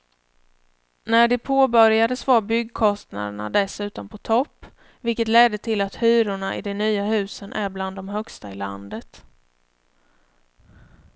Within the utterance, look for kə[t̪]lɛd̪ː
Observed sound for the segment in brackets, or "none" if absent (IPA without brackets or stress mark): t̪